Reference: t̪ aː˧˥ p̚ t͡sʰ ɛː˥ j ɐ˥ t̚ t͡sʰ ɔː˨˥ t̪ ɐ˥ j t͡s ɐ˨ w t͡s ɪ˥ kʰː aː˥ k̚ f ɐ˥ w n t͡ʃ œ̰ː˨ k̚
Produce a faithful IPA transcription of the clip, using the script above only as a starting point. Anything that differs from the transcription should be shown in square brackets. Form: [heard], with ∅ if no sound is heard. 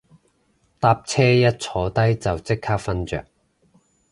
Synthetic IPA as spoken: t̪ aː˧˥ p̚ t͡sʰ ɛː˥ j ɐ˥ t̚ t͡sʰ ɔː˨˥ t̪ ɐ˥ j t͡s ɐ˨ w t͡s ɪ˥ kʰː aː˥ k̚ f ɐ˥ [∅] n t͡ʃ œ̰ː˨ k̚